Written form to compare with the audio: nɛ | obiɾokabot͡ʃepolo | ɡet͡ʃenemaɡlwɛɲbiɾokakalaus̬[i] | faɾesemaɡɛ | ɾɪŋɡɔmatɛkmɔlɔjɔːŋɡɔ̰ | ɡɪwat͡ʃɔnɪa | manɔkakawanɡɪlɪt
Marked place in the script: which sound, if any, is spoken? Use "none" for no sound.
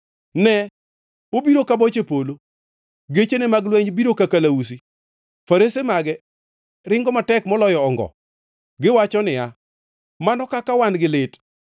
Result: i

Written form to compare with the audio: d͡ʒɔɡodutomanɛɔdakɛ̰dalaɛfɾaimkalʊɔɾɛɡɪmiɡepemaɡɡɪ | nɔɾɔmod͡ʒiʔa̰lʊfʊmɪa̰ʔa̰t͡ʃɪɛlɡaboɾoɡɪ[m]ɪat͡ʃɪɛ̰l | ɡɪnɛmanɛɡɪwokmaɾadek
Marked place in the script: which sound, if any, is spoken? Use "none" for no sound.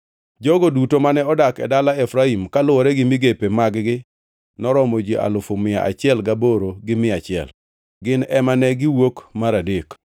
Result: m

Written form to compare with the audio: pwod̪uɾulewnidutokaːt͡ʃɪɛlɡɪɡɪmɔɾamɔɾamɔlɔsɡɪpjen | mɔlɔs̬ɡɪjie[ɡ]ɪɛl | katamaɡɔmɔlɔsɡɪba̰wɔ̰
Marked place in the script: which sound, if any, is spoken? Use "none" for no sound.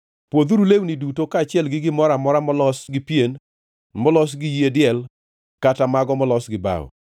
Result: d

